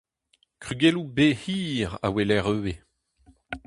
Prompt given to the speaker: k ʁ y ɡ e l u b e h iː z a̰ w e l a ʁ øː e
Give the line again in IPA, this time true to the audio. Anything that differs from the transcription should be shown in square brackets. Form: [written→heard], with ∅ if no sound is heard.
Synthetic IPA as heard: k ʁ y ɡ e l u b e h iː [z→ʁ] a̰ w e l [a→ɛ] ʁ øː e